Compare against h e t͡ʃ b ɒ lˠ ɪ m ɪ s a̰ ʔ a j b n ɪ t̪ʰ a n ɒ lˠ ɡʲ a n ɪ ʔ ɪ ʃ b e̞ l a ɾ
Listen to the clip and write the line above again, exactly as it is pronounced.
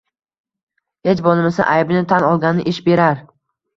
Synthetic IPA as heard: h e t͡ʃ b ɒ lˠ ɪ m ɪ s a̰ ʔ a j b n ɪ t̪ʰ a n ɒ lˠ ɡʲ a n ɪ ʔ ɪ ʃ b e̞ ɾ a ɾ